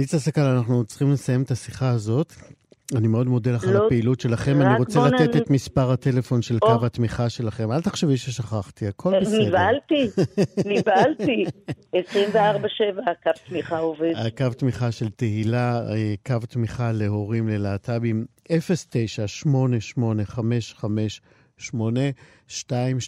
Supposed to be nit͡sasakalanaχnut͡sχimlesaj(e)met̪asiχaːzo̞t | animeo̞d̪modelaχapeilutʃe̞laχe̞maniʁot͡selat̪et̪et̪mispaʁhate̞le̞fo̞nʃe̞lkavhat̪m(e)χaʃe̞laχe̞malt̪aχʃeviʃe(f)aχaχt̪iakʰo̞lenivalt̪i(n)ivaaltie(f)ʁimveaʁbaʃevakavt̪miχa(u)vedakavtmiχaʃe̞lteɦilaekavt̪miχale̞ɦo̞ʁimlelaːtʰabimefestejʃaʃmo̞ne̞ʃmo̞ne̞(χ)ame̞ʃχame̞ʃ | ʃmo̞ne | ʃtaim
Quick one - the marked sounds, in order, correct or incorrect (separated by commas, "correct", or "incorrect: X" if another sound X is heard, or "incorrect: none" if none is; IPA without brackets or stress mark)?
correct, incorrect: i, incorrect: ʃ, correct, incorrect: s, incorrect: o, correct